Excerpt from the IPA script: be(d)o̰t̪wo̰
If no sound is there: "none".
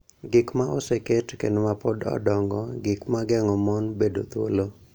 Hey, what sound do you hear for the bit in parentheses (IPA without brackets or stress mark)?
d